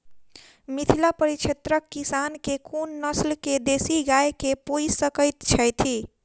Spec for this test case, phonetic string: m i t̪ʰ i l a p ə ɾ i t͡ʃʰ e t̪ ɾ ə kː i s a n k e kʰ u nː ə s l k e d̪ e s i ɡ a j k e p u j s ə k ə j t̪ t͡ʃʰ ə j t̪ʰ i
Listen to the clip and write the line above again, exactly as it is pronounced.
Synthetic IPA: m i t̪ʰ i l a p ə ɾ i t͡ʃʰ e t̪ ɾ ə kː i s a n k e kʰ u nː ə s l k e d̪ e s i ɡ a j k e p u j s ə k ə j t̪ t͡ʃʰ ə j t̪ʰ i

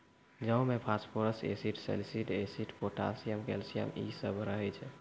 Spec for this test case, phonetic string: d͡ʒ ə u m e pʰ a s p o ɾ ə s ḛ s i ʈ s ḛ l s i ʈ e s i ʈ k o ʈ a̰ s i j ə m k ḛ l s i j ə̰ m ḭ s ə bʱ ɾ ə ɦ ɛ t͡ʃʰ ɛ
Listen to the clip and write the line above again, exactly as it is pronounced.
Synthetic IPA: d͡ʒ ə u m e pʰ a s p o ɾ ə s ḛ s i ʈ s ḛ l s i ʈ e s i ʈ p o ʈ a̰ s i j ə m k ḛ l s i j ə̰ m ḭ s ə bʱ ɾ ə ɦ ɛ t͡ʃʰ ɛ

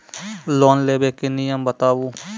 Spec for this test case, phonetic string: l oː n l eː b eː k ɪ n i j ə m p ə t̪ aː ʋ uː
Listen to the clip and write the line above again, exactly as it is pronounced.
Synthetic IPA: l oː n l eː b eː k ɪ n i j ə m b ə t̪ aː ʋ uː

